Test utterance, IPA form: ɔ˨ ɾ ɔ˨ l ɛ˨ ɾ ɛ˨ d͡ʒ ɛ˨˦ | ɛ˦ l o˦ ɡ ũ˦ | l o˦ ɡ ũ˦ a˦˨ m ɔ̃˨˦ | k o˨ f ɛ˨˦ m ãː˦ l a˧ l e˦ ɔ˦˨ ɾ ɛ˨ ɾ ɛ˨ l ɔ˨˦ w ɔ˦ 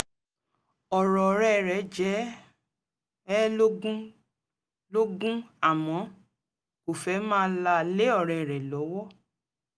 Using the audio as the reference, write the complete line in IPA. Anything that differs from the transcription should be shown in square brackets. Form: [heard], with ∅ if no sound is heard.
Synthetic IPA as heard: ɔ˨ ɾ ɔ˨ [ɾ] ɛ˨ ɾ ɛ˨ d͡ʒ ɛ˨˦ | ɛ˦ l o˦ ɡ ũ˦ | l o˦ ɡ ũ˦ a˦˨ m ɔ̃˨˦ | k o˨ f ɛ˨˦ m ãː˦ l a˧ l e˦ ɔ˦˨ ɾ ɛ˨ ɾ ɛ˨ l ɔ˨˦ w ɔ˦